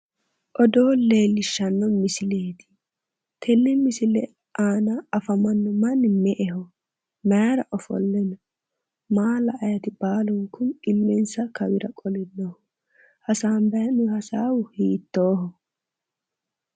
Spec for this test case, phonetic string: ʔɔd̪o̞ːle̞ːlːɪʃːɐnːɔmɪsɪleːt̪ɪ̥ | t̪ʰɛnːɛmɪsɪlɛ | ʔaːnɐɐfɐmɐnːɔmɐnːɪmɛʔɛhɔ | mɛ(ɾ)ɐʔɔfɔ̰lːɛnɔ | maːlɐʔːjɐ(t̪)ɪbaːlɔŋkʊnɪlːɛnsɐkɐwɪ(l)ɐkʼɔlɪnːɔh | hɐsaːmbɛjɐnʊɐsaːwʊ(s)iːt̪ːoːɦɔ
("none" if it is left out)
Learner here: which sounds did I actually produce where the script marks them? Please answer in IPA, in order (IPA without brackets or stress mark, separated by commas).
ɾ, t̪, ɾ, h